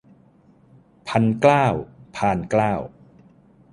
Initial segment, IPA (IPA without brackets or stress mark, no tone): pʰ